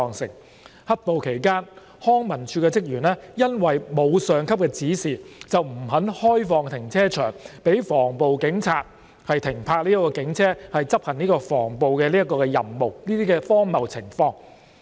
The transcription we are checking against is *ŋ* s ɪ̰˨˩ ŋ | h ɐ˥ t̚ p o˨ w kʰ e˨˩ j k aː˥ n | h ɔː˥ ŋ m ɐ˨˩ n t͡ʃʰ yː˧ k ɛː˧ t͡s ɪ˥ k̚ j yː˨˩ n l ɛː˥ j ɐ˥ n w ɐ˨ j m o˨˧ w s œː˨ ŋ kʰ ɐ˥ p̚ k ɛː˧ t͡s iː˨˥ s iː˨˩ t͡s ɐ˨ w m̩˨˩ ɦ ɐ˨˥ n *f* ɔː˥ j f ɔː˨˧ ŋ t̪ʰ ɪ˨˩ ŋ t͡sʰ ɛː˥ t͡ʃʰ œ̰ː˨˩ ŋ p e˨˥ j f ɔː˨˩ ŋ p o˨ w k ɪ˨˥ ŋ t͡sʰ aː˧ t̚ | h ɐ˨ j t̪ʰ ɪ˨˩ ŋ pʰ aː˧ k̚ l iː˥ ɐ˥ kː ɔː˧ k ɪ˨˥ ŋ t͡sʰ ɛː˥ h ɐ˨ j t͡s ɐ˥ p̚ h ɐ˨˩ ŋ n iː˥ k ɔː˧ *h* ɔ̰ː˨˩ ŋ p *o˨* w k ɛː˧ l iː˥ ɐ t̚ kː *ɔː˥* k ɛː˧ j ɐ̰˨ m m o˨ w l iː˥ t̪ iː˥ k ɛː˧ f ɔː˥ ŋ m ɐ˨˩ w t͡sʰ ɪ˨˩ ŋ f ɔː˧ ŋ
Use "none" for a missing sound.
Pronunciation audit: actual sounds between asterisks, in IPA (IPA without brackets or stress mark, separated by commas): ŋ, h, f, o˨, ɔː˧